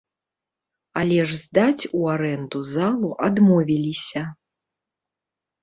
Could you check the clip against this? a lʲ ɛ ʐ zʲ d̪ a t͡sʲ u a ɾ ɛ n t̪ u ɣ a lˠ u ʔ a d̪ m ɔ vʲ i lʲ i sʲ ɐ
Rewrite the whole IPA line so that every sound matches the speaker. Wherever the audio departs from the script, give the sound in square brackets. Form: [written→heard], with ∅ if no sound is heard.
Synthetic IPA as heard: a lʲ ɛ ʐ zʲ d̪ a t͡sʲ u a ɾ ɛ n [t̪→d̪] u [ɣ→z] a lˠ u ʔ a d̪ m ɔ vʲ i lʲ i sʲ ɐ